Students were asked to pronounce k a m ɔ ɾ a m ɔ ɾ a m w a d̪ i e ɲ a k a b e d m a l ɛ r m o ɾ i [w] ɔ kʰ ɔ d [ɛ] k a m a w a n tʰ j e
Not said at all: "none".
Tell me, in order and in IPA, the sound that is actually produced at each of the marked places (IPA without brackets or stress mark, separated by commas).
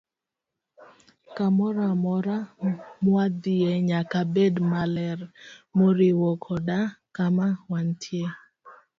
w, a